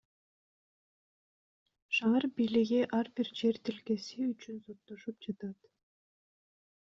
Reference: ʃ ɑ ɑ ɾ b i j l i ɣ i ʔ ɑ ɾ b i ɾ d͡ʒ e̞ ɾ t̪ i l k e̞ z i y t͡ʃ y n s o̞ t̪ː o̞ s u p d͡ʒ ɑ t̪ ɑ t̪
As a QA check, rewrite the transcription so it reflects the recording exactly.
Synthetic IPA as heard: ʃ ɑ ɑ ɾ b i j l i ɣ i ʔ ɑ ɾ b i ɾ d͡ʒ e̞ ɾ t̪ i l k e̞ s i y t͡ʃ y n s o̞ t̪ː o̞ ʃ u p d͡ʒ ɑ t̪ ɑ t̪